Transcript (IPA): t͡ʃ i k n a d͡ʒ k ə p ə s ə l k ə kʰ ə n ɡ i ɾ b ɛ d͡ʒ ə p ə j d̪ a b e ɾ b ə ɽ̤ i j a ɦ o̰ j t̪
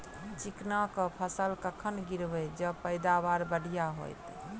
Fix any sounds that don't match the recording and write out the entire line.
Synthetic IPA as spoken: t͡ʃ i k n a k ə pʰ ə s ə l k ə kʰ ə n ɡ i ɾ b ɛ d͡ʒ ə p ə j d̪ a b a ɾ b ə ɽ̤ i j a ɦ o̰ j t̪

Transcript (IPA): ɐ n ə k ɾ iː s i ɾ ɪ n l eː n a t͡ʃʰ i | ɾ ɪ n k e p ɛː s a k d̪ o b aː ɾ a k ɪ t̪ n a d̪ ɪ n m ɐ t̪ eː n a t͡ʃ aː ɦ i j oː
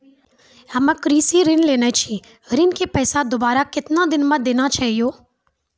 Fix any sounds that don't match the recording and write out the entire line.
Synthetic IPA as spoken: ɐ m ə k ɾ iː s i ɾ ɪ n l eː n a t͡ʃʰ i | ɾ ɪ n k e p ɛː s a d̪ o b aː ɾ a k ɪ t̪ n a d̪ ɪ n m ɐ d̪ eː n a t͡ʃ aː ɦ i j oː

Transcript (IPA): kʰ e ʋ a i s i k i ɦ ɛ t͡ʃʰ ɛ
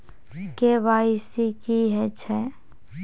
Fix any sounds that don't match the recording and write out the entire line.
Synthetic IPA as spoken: k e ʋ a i s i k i ɦ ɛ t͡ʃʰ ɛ

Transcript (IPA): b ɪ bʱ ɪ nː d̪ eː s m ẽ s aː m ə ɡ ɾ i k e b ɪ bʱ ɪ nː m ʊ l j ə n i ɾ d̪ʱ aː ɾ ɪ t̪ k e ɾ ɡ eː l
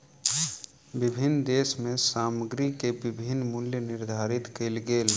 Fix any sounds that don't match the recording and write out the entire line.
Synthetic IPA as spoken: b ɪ bʱ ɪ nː d̪ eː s m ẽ s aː m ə ɡ ɾ i k e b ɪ bʱ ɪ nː m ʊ l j ə n ɪ ɾ d̪ʱ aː ɾ ɪ t̪ k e l ɡ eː l

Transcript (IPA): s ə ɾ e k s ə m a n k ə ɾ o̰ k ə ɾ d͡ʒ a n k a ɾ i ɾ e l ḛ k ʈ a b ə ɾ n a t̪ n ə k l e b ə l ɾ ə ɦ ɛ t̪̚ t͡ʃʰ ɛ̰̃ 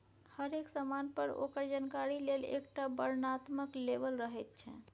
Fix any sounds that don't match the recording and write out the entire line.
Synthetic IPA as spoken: h ə ɾ e k s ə m a n p ə ɾ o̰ k ə ɾ d͡ʒ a n k a ɾ i l e l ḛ k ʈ a b ə ɾ n a t̪ m ə k l e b ə l ɾ ə ɦ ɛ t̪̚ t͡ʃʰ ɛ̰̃

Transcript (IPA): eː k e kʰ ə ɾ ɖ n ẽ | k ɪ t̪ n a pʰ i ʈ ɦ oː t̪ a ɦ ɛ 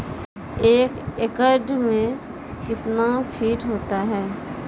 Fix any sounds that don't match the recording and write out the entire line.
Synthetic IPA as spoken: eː k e k ə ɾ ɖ m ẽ | k ɪ t̪ n a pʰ iː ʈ ɦ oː t̪ a ɦ ɛː

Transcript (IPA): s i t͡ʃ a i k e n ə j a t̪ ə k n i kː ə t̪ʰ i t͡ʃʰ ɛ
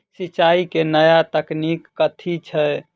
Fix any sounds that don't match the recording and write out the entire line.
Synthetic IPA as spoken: s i t͡ʃ a i k e n ə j a t̪ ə k n i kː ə t̪ʰ i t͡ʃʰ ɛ

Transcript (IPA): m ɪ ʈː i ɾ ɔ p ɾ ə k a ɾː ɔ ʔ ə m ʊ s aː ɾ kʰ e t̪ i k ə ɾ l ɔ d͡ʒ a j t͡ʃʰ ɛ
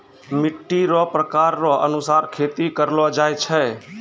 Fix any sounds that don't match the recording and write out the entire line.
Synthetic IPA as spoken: m ɪ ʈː i ɾ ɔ p ɾ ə k a ɾː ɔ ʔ ə n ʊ s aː ɾ kʰ e t̪ i k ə ɾ l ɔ d͡ʒ a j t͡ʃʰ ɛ

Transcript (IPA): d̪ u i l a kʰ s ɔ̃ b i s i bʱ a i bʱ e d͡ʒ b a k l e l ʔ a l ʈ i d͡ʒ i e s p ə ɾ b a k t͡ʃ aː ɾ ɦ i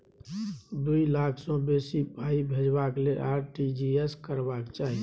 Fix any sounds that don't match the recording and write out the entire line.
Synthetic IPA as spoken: d̪ u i l a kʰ s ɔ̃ b e s i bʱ a i bʱ e d͡ʒ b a k l e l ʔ a ɾ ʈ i d͡ʒ i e s k ə ɾ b a k t͡ʃ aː ɦ i

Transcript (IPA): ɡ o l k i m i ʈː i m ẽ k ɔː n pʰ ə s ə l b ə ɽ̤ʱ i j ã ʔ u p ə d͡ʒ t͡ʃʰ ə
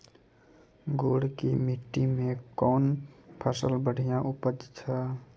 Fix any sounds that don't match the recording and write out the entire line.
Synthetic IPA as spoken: ɡ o ɽ k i m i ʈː i m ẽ k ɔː n pʰ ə s ə l b ə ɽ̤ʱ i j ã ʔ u p ə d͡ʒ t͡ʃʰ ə

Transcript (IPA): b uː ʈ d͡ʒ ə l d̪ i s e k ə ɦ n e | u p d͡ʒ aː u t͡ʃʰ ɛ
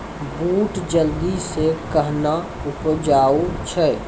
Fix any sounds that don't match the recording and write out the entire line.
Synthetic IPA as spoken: b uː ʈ d͡ʒ ə l d̪ i s e k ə ɦ n a | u p d͡ʒ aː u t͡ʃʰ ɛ

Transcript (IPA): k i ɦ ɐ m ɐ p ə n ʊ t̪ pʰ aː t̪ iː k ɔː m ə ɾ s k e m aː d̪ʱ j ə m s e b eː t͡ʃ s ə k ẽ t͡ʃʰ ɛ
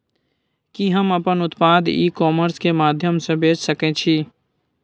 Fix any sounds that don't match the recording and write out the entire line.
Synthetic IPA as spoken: k i ɦ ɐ m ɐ p ə n ʊ t̪ p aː d̪ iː k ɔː m ə ɾ s k e m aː d̪ʱ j ə m s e b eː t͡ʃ s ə k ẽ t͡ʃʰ i

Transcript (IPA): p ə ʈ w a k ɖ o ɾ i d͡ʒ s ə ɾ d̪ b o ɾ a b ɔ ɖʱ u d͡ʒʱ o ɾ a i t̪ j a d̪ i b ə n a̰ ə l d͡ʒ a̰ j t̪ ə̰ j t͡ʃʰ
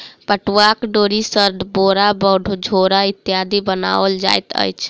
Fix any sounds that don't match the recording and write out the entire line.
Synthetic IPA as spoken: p ə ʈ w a k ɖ o ɾ i s ə ɾ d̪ b o ɾ a b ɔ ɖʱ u d͡ʒʱ o ɾ a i t̪ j a d̪ i b ə n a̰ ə l d͡ʒ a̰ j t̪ ə̰ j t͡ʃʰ

